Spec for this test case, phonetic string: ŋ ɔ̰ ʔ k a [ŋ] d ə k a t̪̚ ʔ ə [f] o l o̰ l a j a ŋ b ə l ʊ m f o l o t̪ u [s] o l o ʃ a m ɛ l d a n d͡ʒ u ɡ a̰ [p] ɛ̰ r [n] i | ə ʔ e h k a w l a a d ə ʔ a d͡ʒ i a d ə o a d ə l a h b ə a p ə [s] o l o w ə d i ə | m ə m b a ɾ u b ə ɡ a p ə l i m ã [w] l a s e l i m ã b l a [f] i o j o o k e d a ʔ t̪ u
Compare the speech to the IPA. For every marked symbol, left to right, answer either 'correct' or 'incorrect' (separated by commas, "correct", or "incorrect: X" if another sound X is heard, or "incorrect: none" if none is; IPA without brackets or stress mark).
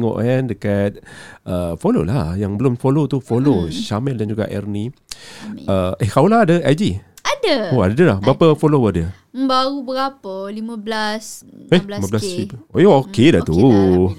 incorrect: n, correct, incorrect: f, incorrect: ʔ, correct, incorrect: f, incorrect: b, incorrect: s